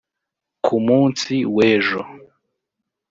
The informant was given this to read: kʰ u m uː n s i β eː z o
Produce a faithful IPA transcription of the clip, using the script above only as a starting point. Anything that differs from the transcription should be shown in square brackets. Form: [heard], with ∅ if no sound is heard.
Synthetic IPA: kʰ u m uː n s i [w] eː [ʒ] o